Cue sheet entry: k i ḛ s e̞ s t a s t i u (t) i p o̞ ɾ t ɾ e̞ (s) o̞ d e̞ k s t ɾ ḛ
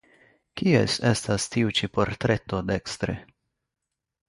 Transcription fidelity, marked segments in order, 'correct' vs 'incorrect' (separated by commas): incorrect, incorrect